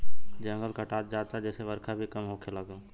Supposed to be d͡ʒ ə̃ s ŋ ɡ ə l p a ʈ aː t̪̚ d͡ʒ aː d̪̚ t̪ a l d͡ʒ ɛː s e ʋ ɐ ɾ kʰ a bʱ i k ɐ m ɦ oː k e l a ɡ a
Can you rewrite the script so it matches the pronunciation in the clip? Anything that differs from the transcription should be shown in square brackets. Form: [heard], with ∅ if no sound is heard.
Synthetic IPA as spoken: d͡ʒ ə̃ [∅] ŋ ɡ ə l [k] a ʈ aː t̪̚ d͡ʒ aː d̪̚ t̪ a [∅] d͡ʒ ɛː s e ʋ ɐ ɾ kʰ a bʱ i k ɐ m ɦ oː k e l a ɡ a